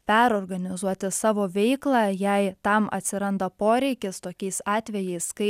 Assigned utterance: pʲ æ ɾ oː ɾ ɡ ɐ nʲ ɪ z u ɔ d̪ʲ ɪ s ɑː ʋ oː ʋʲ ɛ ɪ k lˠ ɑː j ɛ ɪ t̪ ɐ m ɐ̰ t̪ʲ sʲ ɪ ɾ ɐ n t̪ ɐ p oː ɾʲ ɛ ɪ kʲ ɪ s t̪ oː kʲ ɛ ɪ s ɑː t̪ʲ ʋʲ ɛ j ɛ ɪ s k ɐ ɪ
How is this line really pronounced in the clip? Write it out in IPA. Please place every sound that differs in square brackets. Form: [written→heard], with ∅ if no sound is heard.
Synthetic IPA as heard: pʲ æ ɾ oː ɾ ɡ ɐ nʲ ɪ z u ɔ [d̪ʲ→t̪ʲ] ɪ s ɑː ʋ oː ʋʲ ɛ ɪ k lˠ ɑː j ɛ ɪ t̪ ɐ m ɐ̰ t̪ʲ sʲ ɪ ɾ ɐ n [t̪→d̪] ɐ p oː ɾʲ ɛ ɪ kʲ ɪ s t̪ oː kʲ ɛ ɪ s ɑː t̪ʲ ʋʲ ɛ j ɛ ɪ s k ɐ ɪ